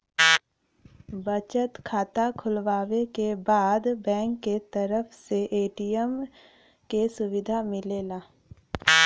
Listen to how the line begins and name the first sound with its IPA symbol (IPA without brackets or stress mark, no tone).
b